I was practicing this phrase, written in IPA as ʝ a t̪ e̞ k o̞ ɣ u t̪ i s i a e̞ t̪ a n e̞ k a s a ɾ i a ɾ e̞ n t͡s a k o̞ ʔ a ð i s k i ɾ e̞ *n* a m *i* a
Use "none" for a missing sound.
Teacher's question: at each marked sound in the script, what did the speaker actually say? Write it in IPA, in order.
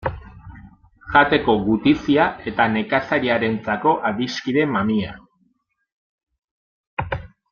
m, i

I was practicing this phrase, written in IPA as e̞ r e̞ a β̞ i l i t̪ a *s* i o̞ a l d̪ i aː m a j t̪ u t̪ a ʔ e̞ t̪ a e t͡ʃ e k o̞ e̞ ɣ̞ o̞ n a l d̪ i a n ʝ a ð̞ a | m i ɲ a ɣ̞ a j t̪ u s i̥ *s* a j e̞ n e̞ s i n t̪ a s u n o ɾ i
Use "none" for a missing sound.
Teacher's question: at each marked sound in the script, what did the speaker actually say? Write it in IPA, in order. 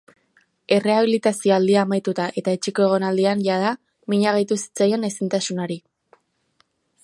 s, t͡s

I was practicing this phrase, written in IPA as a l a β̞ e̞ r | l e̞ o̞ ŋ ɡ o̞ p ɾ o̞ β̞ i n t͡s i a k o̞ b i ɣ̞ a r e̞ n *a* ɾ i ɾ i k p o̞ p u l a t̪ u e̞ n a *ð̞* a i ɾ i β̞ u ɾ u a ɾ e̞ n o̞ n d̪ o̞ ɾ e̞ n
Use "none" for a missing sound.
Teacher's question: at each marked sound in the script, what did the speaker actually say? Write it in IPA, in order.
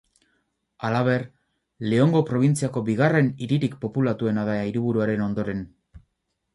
i, ð̞

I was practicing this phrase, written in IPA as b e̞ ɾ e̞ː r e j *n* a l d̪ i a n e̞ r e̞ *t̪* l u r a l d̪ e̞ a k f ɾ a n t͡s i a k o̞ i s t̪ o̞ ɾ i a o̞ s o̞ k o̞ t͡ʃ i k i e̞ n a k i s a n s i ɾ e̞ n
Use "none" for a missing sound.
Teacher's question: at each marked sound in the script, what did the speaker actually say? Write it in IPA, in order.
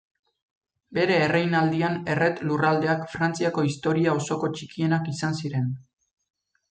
n, t̪

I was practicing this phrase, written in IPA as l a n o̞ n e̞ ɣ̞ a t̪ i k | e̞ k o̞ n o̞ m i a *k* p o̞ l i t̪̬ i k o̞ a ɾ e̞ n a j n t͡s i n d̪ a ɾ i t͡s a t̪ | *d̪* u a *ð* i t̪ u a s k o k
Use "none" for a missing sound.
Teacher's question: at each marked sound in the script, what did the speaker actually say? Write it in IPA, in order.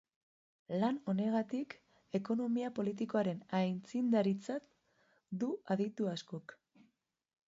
none, d̪, ð

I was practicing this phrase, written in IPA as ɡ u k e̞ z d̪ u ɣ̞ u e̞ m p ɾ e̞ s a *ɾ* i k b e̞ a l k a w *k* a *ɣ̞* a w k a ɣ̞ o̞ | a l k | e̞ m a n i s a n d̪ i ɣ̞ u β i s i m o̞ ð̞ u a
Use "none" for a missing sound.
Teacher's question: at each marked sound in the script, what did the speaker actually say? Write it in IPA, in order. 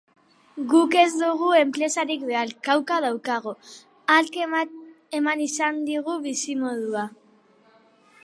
ɾ, k, ð̞

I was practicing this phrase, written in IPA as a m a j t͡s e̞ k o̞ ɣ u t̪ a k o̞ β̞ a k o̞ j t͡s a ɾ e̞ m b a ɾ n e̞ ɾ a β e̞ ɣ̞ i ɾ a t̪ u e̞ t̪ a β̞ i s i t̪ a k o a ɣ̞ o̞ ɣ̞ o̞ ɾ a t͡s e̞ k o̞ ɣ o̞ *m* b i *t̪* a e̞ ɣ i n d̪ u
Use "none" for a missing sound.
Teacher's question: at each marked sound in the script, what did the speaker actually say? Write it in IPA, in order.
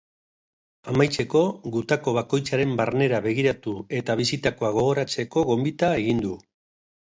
m, t̪

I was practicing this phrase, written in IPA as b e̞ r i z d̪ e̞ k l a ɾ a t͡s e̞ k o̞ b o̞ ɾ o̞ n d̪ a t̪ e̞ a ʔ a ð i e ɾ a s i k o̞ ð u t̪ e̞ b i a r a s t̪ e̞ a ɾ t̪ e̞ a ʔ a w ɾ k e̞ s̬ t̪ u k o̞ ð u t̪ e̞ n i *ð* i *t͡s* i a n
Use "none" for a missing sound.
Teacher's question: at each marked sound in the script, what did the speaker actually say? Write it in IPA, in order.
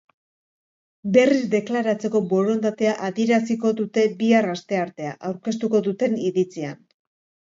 ð, t͡s

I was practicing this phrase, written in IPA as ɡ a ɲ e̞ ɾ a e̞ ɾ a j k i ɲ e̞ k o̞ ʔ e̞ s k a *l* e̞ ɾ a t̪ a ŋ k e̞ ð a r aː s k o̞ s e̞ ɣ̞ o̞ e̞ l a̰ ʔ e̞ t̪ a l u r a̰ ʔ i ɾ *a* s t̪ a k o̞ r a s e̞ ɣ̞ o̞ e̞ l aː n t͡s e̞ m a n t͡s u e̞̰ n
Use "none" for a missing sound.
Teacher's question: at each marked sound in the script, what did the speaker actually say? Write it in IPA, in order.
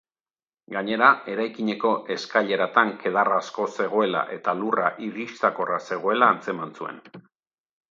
ʎ, i

